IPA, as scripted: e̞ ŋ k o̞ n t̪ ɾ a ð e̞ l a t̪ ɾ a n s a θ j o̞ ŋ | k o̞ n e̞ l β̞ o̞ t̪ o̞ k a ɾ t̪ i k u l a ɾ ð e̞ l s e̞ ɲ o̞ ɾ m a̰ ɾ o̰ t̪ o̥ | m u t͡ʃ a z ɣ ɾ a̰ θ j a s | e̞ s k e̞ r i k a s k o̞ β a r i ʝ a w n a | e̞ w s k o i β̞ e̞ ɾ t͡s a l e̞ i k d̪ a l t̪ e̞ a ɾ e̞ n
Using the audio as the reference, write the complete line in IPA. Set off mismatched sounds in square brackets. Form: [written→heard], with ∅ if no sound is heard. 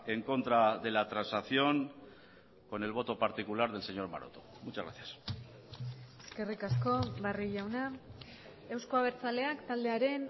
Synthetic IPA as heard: e̞ ŋ k o̞ n t̪ ɾ a ð e̞ l a t̪ ɾ a n s a θ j o̞ ŋ | k o̞ n e̞ l β̞ o̞ t̪ o̞ [k→p] a ɾ t̪ i k u l a ɾ ð e̞ l s e̞ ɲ o̞ ɾ m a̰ ɾ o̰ t̪ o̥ | m u t͡ʃ a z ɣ ɾ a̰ θ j a s | e̞ s k e̞ r i k a s k o̞ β a r i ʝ a w n a | e̞ w s k o [i→a] β̞ e̞ ɾ t͡s a l e̞ [i→a] k [d̪→t̪] a l [t̪→d̪] e̞ a ɾ e̞ n